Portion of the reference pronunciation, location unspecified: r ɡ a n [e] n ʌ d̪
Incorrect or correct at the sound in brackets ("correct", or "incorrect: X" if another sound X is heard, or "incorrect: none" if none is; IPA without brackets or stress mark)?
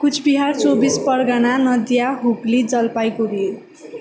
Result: incorrect: a